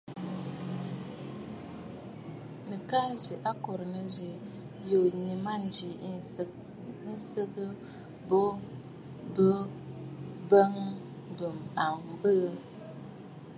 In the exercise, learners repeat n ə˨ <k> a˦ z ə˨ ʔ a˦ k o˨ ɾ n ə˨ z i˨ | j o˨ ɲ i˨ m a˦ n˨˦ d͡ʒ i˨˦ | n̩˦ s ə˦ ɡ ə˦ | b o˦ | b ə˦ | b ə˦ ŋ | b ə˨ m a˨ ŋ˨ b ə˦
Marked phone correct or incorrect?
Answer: correct